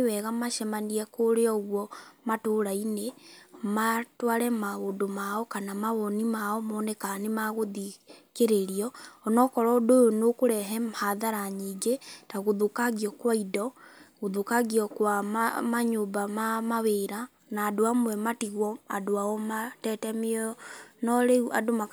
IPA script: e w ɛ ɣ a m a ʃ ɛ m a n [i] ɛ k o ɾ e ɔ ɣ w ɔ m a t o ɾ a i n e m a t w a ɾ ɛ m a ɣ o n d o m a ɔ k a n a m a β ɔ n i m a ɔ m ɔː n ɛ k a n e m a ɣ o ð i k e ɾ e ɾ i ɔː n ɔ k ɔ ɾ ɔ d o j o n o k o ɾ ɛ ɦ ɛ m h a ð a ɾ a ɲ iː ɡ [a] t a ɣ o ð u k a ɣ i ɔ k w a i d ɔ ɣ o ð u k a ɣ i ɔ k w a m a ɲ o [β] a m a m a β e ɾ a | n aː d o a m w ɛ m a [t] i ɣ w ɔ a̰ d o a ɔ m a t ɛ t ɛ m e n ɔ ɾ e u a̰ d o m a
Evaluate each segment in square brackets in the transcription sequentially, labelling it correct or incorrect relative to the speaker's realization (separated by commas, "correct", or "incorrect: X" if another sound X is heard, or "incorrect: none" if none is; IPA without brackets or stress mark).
correct, incorrect: e, incorrect: b, correct